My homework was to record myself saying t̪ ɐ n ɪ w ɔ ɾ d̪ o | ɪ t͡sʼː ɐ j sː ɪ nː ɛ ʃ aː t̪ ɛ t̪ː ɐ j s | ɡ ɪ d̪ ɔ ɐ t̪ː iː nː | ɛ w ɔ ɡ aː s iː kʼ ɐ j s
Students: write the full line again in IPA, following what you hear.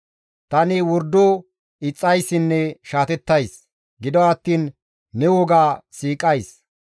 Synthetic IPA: t̪ ɐ n ɪ w ɔ ɾ d̪ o | ɪ t͡sʼː ɐ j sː ɪ nː ɛ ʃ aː t̪ ɛ t̪ː ɐ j s | ɡ ɪ d̪ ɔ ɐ t̪ː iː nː | ɛ w ɔ ɡ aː s iː kʼ ɐ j s

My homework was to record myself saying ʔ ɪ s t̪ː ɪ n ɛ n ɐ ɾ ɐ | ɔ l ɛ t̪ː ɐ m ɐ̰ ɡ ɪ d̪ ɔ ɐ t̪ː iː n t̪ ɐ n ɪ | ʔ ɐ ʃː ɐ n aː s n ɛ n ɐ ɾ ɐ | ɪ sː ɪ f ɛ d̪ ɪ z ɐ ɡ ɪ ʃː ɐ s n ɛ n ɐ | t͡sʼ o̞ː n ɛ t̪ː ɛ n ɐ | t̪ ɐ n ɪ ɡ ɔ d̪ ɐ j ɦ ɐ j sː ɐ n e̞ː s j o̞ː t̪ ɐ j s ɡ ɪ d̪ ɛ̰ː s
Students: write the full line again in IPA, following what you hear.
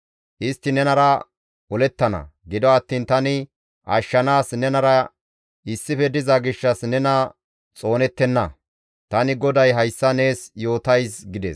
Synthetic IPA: ʔ ɪ s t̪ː ɪ n ɛ n ɐ ɾ ɐ | ɔ l ɛ t̪ː ɐ n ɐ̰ ɡ ɪ d̪ ɔ ɐ t̪ː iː n t̪ ɐ n ɪ | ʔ ɐ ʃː ɐ n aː s n ɛ n ɐ ɾ ɐ | ɪ sː ɪ f ɛ d̪ ɪ z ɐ ɡ ɪ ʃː ɐ s n ɛ n ɐ | t͡sʼ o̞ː n ɛ t̪ː ɛ nː ɐ | t̪ ɐ n ɪ ɡ ɔ d̪ ɐ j ɦ ɐ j sː ɐ n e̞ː s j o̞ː t̪ ɐ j s ɡ ɪ d̪ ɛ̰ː s

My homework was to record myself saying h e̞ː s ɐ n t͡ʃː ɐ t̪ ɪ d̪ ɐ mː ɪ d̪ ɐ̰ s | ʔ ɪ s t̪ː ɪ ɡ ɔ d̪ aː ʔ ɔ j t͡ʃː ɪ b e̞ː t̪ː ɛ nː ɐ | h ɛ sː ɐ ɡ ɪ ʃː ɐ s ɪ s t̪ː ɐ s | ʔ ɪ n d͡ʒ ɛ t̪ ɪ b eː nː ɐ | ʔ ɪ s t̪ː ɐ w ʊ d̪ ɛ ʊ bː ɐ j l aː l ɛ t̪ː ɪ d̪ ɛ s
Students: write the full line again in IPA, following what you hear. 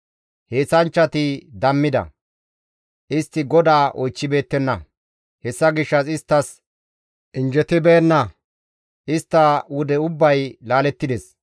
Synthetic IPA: h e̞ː s ɐ n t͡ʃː ɐ t̪ ɪ d̪ ɐ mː ɪ d̪ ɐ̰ | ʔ ɪ s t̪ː ɪ ɡ ɔ d̪ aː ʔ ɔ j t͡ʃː ɪ b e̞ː t̪ː ɛ nː ɐ | h ɛ sː ɐ ɡ ɪ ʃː ɐ s ɪ s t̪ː ɐ s | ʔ ɪ n d͡ʒ ɛ t̪ ɪ b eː nː ɐ | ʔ ɪ s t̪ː ɐ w ʊ d̪ ɛ ʊ bː ɐ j l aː l ɛ t̪ː ɪ d̪ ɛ s

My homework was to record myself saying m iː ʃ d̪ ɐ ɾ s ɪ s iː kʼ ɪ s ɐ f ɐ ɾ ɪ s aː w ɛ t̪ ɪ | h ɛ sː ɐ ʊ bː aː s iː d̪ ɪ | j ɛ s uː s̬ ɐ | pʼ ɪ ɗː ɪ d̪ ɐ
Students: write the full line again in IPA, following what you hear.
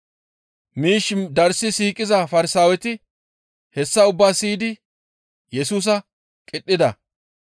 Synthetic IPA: m iː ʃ d̪ ɐ ɾ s ɪ s iː kʼ ɪ z ɐ f ɐ ɾ ɪ s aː w ɛ t̪ ɪ | h ɛ sː ɐ ʊ bː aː s iː d̪ ɪ | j ɛ s uː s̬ ɐ | kʼ ɪ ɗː ɪ d̪ ɐ

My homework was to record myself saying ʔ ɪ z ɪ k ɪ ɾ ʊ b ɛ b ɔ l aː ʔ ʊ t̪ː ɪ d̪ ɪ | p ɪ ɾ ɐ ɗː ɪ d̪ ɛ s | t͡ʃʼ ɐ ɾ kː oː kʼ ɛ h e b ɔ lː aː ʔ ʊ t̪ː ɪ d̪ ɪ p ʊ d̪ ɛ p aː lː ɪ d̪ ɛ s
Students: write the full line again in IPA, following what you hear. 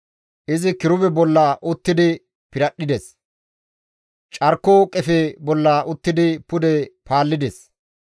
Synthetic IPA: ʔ ɪ z ɪ k ɪ ɾ ʊ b ɛ b ɔ lː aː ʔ ʊ t̪ː ɪ d̪ ɪ | p ɪ ɾ ɐ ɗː ɪ d̪ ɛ s | t͡ʃʼ ɐ ɾ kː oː kʼ ɛ f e b ɔ lː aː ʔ ʊ t̪ː ɪ d̪ ɪ p ʊ d̪ ɛ p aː lː ɪ d̪ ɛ s

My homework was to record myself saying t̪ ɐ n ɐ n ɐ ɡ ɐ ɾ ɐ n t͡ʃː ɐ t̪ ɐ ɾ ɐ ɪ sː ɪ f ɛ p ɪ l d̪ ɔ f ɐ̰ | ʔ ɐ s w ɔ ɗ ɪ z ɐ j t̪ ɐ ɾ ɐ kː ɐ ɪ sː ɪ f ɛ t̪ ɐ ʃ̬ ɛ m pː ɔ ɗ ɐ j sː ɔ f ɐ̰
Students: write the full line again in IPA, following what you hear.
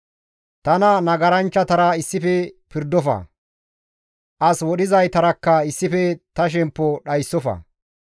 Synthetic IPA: t̪ ɐ n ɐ n ɐ ɡ ɐ ɾ ɐ n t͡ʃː ɐ t̪ ɐ ɾ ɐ ɪ sː ɪ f ɛ p ɪ ɾ d̪ ɔ f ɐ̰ | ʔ ɐ s w ɔ ɗ ɪ z ɐ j t̪ ɐ ɾ ɐ kː ɐ ɪ sː ɪ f ɛ t̪ ɐ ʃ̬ ɛ m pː ɔ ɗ ɐ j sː ɔ f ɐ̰

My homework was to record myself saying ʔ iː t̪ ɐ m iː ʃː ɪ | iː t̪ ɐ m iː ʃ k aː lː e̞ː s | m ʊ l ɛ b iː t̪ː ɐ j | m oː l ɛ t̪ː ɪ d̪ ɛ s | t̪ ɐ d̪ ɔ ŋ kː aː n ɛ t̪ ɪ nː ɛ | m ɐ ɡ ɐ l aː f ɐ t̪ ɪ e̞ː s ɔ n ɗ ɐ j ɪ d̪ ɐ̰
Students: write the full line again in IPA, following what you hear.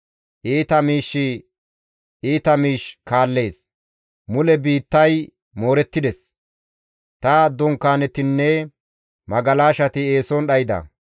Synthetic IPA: ʔ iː t̪ ɐ m iː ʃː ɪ | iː t̪ ɐ m iː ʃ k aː lː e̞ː s | m ʊ l ɛ b iː t̪ː ɐ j | m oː ɾ ɛ t̪ː ɪ d̪ ɛ s | t̪ ɐ d̪ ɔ ŋ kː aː n ɛ t̪ ɪ nː ɛ | m ɐ ɡ ɐ l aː ʃ ɐ t̪ ɪ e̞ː s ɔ n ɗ ɐ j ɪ d̪ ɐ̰

